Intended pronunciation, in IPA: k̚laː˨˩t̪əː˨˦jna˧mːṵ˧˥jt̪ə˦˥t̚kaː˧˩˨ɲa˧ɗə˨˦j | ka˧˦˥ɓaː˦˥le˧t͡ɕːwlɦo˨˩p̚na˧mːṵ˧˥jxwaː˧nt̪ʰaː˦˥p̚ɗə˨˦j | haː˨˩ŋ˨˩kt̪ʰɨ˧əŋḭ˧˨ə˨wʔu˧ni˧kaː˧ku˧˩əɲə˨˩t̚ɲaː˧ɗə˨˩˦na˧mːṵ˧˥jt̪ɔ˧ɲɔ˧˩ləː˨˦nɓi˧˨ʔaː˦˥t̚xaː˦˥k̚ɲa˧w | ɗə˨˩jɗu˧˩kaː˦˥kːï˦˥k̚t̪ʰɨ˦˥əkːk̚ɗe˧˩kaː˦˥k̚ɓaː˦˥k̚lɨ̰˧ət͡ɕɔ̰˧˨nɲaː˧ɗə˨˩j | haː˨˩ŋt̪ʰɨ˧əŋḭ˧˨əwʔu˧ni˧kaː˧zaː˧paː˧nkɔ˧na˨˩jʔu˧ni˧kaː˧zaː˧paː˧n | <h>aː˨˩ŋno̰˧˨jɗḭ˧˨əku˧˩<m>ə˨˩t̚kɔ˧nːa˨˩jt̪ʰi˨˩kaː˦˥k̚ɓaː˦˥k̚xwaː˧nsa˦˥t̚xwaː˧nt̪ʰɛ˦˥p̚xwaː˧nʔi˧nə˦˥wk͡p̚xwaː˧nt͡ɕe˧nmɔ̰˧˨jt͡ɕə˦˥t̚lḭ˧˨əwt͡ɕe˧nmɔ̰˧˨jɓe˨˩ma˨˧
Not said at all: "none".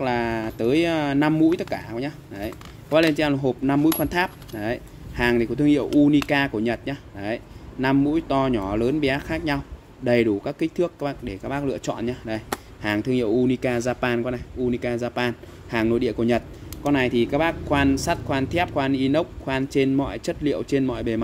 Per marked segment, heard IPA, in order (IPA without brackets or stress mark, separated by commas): h, ɲ